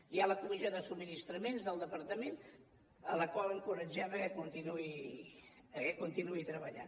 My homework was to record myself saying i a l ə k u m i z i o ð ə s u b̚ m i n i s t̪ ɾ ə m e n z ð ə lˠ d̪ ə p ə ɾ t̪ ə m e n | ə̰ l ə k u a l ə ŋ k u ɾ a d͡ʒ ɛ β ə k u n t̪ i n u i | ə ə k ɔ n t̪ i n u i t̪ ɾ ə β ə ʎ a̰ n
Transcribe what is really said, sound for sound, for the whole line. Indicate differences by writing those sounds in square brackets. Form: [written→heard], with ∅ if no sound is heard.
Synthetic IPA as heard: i a l ə k u m i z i o ð ə s u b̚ m i n i s t̪ ɾ ə m e n z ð ə lˠ d̪ ə p ə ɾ t̪ ə m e n | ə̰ l ə k [u→w] a l ə ŋ k u ɾ [a→ə] d͡ʒ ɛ β ə k u n t̪ i n u i | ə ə k [ɔ→u] n t̪ i n u i t̪ ɾ ə β ə ʎ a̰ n